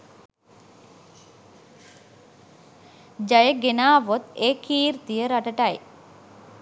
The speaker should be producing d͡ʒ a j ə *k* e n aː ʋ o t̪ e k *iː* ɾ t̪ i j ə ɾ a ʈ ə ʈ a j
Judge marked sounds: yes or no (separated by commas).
no, yes